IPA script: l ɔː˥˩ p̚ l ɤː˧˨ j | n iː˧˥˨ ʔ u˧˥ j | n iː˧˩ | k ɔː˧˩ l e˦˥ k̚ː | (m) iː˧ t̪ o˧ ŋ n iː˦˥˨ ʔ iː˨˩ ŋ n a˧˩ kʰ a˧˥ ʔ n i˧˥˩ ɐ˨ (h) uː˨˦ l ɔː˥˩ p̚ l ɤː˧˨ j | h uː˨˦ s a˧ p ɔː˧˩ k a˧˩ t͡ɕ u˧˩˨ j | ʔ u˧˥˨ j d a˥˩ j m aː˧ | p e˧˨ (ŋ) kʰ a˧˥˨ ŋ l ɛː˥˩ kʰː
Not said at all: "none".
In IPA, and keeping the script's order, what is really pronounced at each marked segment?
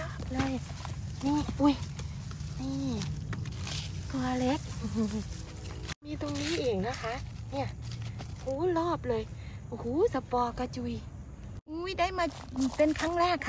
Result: m, h, n

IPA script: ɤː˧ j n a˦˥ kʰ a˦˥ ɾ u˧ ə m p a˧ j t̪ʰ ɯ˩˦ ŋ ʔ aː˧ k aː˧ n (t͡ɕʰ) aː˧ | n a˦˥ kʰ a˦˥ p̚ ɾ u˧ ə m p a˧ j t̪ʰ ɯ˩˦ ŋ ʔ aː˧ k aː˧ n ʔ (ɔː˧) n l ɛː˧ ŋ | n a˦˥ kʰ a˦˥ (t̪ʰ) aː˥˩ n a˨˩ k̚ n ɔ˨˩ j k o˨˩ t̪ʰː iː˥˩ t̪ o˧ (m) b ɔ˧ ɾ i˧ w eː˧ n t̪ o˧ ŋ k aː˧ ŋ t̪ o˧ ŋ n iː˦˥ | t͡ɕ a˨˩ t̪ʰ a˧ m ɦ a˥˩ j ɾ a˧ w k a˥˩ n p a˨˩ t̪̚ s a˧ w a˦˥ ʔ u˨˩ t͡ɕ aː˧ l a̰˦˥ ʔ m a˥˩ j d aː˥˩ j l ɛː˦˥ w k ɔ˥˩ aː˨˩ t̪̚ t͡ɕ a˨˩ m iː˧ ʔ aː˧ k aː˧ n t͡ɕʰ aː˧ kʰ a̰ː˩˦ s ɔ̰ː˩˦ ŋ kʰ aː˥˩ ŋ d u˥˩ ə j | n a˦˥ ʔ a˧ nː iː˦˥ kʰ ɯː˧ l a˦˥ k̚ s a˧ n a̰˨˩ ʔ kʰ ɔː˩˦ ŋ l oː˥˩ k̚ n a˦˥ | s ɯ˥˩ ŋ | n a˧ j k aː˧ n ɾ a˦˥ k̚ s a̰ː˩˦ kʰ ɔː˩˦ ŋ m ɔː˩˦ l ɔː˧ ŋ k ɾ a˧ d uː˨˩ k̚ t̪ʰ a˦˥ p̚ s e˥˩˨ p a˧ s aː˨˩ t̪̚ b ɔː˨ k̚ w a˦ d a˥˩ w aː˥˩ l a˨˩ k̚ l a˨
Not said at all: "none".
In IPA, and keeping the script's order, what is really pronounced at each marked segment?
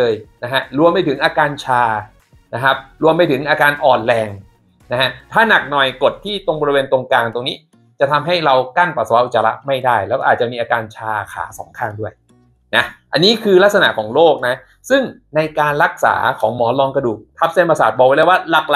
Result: t͡ɕʰ, ɔː˨˩, t̪ʰ, ŋ

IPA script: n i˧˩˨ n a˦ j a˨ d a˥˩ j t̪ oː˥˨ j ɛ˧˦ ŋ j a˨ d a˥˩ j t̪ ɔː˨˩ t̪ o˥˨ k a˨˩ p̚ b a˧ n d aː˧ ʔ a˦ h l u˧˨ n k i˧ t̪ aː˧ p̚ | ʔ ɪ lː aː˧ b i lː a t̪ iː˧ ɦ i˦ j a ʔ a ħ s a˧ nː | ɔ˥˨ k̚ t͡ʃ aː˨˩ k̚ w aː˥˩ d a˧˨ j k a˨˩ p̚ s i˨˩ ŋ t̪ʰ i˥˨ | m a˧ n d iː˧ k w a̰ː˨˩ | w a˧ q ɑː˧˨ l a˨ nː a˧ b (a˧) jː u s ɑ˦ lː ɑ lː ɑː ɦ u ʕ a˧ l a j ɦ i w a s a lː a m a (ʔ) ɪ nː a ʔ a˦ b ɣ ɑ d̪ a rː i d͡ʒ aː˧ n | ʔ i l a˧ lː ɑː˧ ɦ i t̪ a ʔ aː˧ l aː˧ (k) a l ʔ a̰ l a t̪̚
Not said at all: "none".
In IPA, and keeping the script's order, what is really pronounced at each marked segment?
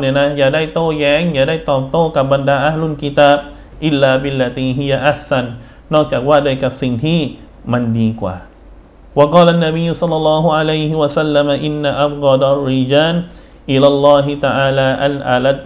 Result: i˧, ʔ, ʔ

